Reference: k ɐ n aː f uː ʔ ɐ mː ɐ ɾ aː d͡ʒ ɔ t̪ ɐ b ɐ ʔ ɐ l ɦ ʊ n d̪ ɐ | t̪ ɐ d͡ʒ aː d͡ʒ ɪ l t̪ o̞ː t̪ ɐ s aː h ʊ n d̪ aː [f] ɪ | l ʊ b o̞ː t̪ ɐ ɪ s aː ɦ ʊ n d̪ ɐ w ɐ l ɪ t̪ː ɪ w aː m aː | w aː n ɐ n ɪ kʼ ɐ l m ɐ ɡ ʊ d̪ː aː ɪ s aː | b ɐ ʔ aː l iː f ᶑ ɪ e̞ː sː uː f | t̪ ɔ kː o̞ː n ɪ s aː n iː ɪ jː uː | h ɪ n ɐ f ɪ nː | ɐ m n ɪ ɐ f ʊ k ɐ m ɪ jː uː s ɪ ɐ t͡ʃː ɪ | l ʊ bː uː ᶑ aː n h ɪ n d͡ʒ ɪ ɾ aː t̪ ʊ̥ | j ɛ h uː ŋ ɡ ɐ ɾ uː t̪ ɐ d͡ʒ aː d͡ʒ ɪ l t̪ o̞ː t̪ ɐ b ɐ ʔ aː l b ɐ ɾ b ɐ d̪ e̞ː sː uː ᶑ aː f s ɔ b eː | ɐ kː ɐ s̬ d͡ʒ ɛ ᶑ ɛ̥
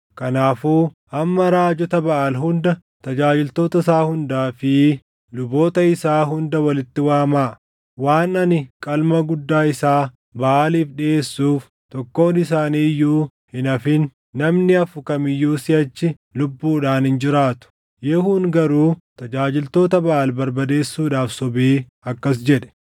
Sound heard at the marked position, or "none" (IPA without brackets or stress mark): f